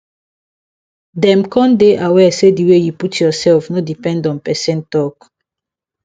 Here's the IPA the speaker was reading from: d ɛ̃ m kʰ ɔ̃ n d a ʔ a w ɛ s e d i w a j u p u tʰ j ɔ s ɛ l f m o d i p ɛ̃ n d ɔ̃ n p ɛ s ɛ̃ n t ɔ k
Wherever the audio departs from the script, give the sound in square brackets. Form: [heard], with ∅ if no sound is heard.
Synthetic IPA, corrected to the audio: d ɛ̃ m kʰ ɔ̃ n d [e] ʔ a w ɛ s e d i w [e] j u p u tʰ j ɔ s ɛ l f [n] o d i p ɛ̃ n d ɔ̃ n p ɛ s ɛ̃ n t ɔ k